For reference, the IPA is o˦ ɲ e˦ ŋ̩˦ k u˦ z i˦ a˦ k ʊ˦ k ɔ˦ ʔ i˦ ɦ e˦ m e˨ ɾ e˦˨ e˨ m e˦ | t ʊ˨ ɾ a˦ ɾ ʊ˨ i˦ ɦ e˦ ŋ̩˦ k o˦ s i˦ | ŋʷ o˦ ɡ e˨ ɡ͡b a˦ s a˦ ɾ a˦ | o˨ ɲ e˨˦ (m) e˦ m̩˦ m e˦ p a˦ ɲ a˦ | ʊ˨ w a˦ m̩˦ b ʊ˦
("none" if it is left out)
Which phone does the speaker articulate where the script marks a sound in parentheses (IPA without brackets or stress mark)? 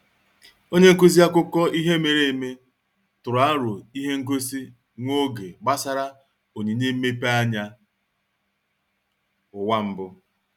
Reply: ɲ